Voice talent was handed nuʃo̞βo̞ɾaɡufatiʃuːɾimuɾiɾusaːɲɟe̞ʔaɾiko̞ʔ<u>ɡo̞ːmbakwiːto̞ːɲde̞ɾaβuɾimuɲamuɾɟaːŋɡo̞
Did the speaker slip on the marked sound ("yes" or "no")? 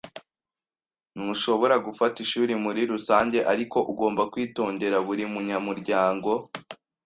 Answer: no